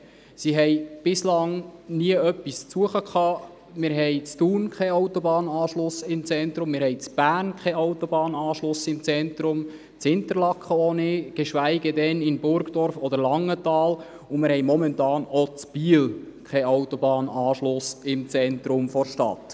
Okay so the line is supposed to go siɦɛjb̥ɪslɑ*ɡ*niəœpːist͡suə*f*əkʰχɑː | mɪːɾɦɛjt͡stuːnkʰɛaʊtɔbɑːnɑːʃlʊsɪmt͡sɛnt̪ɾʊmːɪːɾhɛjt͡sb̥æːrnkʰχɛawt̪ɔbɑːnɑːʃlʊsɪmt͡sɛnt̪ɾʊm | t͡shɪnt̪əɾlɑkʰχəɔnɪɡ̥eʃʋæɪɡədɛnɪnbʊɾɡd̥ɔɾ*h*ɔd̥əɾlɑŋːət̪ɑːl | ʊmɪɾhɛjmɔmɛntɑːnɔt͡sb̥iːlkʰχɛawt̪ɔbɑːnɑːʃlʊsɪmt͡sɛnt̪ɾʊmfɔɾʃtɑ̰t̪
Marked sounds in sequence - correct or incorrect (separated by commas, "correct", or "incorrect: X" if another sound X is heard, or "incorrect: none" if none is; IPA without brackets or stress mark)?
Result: incorrect: ŋ, incorrect: χ, incorrect: f